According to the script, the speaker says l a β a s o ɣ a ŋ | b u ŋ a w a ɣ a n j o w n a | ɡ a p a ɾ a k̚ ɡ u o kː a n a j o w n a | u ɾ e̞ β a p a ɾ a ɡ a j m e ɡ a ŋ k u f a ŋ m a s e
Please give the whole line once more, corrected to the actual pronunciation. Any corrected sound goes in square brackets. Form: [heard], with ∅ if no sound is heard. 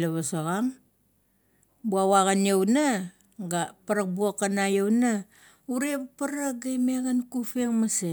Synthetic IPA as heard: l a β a s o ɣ a ŋ | b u [∅] a w a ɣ a n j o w n a | ɡ a p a ɾ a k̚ [b] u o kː a n a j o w n a | u ɾ e̞ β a p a ɾ a ɡ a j m e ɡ a [n] k u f [e] ŋ m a s e